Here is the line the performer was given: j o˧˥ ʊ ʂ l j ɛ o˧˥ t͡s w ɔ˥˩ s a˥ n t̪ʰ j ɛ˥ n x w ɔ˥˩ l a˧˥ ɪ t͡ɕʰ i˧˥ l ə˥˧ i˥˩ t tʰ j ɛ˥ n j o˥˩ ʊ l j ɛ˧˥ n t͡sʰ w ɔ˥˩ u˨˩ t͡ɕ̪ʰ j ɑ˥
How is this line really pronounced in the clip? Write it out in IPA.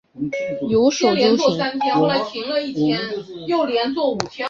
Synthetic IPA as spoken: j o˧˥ ʊ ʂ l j ɛ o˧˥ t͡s w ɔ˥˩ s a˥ n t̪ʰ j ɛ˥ n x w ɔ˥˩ l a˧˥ ɪ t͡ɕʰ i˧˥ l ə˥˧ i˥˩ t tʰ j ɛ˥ n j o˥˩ ʊ l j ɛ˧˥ n t͡s w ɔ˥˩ u˨˩ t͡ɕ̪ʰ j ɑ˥